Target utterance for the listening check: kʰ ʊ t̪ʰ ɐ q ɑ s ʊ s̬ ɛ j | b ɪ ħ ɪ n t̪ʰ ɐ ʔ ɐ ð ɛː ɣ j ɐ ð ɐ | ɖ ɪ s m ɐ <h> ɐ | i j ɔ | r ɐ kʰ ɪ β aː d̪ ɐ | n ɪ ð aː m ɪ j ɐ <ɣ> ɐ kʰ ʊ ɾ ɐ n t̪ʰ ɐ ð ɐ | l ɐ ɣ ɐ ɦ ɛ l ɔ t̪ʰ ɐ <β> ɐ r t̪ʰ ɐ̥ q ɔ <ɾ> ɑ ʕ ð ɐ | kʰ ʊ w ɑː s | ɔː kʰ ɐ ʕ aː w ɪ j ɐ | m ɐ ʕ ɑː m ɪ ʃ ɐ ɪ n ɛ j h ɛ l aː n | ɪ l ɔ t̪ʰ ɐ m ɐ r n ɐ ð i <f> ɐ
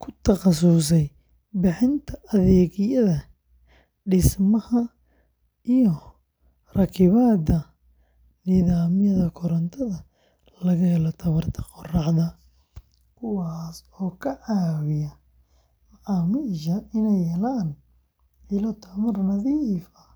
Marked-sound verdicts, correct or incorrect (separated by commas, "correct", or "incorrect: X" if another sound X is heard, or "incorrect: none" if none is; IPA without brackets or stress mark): correct, incorrect: ð, correct, incorrect: r, correct